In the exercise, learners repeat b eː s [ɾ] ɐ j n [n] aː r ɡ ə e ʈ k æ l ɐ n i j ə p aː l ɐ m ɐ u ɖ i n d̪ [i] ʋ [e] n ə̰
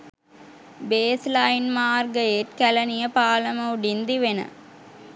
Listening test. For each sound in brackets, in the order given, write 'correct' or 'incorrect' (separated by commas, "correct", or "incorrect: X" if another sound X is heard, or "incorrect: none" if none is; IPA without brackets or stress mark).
incorrect: l, incorrect: m, correct, correct